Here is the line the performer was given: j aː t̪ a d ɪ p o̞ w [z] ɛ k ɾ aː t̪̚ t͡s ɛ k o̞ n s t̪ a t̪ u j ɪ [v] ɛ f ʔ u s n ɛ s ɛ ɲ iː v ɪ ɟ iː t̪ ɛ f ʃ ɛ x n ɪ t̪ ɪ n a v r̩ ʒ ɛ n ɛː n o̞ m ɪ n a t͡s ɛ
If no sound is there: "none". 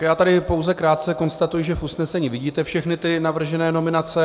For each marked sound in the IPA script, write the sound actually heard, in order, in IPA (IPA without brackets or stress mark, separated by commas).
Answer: z, ʒ